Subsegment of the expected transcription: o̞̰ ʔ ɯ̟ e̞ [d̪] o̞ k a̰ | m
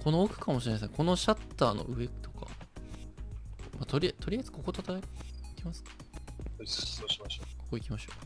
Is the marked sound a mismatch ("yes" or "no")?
yes